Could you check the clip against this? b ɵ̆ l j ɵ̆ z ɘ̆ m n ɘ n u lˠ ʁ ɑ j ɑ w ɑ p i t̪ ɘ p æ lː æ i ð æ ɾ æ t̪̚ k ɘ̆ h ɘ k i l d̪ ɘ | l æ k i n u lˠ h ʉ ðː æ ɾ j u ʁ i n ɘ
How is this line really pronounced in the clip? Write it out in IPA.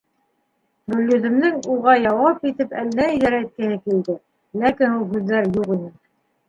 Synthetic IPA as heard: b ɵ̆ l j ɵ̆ ð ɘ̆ m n ɘ ŋ u ʁ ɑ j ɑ w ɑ p i t̪ ɘ p æ lː æ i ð æ ɾ æ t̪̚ k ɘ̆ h ɘ k i l d̪ ɘ | l æ k i n u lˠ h ʉ ðː æ ɾ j u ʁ i n ɘ